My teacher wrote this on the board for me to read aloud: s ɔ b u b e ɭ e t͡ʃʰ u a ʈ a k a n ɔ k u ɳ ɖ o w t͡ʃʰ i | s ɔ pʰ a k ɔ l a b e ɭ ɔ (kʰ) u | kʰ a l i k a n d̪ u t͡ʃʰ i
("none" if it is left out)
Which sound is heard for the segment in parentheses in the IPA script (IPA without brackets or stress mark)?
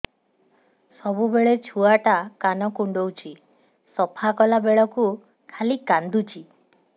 k